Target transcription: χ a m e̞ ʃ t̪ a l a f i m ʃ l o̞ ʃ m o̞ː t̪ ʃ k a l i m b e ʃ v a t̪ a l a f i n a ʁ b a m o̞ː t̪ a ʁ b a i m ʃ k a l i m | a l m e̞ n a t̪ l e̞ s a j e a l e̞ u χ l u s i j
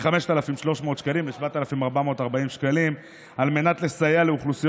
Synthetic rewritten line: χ a m e̞ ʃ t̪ a l a f i m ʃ l o̞ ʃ m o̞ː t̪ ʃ k a l i m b e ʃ v a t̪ a l a f i m a ʁ b a m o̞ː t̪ a ʁ b a i m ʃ k a l i m | a l m e̞ n a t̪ l e̞ s a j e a l e̞ u χ l u s i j